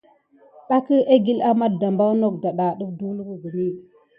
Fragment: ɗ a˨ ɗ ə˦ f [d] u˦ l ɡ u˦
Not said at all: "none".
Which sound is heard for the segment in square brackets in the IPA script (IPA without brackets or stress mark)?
d